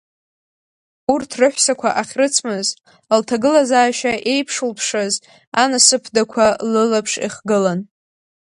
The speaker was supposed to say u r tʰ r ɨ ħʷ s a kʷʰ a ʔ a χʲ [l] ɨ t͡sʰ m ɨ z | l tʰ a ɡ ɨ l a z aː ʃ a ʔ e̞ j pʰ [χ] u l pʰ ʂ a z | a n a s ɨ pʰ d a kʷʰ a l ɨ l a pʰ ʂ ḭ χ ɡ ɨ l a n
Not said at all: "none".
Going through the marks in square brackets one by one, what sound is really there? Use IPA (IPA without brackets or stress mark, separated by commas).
r, ʂ